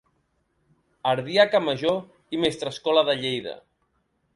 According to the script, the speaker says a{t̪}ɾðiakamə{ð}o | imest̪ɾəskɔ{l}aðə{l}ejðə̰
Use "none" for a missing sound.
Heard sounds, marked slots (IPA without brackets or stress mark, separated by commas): none, ʒ, l, ʎ